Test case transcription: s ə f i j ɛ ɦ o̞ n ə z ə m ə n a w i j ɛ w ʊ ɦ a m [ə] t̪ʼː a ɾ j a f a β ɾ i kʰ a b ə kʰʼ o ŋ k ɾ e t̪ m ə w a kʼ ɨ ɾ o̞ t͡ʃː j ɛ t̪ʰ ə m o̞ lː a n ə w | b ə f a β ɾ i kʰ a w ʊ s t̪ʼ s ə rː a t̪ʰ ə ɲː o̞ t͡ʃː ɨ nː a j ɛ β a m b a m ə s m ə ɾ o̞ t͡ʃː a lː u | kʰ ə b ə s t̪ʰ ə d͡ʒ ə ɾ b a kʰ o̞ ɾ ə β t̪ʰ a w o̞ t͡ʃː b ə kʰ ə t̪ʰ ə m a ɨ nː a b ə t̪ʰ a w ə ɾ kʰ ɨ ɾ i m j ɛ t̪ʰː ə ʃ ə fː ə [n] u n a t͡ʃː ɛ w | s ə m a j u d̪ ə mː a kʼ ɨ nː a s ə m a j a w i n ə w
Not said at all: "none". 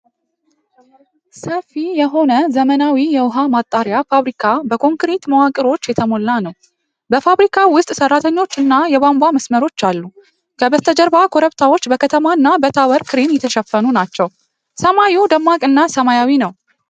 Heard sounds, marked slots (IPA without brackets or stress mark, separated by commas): a, n